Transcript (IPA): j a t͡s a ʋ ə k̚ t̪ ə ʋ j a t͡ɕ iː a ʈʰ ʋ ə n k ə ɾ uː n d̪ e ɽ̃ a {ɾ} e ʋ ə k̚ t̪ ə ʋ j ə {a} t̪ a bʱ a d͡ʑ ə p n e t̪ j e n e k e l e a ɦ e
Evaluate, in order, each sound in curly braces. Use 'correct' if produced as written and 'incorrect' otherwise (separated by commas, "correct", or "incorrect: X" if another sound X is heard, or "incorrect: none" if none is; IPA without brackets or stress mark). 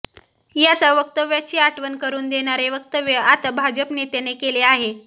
correct, correct